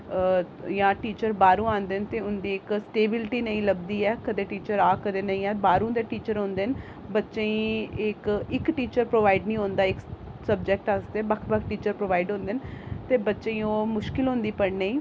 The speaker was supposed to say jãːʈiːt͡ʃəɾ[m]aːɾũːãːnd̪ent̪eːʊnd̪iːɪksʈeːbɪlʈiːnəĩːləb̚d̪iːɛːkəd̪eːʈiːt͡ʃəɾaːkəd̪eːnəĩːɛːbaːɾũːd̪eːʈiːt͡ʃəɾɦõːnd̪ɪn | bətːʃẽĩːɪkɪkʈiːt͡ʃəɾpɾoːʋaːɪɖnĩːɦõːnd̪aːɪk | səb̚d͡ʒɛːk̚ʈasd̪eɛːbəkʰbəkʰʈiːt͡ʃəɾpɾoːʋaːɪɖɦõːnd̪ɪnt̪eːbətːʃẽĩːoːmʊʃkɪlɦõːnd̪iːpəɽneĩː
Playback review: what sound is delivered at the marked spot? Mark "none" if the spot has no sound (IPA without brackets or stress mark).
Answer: b